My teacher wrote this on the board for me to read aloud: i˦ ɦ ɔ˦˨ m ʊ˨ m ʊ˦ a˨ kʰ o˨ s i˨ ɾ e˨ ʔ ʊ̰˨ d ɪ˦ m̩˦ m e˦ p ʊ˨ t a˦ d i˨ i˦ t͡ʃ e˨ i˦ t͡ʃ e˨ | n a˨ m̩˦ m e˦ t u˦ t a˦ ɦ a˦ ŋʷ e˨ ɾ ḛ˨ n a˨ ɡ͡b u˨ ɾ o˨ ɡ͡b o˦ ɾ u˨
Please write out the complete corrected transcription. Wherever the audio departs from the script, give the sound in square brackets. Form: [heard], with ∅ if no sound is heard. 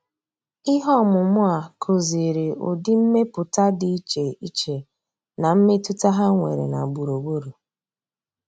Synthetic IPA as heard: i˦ ɦ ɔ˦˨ m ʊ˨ m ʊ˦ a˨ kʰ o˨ [z] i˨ ɾ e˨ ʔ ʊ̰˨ d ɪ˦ m̩˦ m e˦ p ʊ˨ t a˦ d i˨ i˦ t͡ʃ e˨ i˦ t͡ʃ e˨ | n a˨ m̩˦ m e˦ t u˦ t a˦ ɦ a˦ ŋʷ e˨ ɾ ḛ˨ n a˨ ɡ͡b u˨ ɾ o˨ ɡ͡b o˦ ɾ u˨